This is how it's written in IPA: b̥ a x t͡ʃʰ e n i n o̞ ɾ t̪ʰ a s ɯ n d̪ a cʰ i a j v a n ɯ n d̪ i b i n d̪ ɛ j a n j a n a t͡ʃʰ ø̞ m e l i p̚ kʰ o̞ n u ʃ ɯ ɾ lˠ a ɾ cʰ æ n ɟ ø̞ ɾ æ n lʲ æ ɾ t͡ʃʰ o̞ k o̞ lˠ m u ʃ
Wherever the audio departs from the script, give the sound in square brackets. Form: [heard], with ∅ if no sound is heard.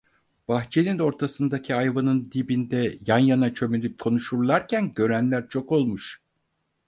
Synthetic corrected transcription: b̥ a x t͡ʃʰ e n i n o̞ ɾ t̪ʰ a s ɯ n d̪ a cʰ i a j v a n ɯ n d̪ i b i n d̪ ɛ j a n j a n a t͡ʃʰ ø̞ m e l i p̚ kʰ o̞ n u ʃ [u] ɾ lˠ a ɾ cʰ æ n ɟ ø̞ ɾ æ n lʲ æ ɾ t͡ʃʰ o̞ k o̞ lˠ m u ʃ